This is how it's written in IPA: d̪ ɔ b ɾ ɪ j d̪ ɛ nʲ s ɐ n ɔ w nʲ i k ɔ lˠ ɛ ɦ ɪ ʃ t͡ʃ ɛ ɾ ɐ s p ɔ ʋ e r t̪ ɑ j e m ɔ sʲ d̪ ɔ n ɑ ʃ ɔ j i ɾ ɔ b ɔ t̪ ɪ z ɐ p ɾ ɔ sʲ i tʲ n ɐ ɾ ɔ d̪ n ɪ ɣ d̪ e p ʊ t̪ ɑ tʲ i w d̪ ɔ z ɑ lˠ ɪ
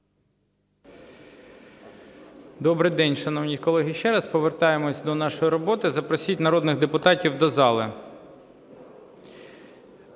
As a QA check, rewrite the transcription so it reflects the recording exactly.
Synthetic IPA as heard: d̪ ɔ b ɾ ɪ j d̪ ɛ nʲ ʃ ɐ n ɔ w nʲ i k ɔ lˠ ɛ ɦ ɪ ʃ t͡ʃ ɛ ɾ ɐ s p ɔ ʋ e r t̪ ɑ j e m ɔ sʲ d̪ ɔ n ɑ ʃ ɔ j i ɾ ɔ b ɔ t̪ ɪ z ɐ p ɾ ɔ sʲ i tʲ n ɐ ɾ ɔ d̪ n ɪ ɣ d̪ e p ʊ t̪ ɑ tʲ i w d̪ ɔ z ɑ lˠ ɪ